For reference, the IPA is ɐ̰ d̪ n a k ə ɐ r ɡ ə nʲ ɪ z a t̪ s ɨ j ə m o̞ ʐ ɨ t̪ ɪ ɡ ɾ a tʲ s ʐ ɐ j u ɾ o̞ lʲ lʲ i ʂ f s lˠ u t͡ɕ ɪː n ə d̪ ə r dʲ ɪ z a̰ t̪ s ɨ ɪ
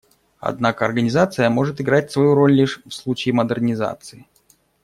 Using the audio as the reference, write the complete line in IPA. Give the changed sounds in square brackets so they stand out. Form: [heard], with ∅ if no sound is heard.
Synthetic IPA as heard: ɐ̰ d̪ n a k ə ɐ r ɡ ə nʲ ɪ z a t̪ s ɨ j ə m o̞ ʐ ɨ t̪ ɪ ɡ ɾ a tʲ s [v] ɐ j u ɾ o̞ lʲ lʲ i ʂ f s lˠ u t͡ɕ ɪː [m] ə d̪ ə r [nʲ] ɪ z a̰ t̪ s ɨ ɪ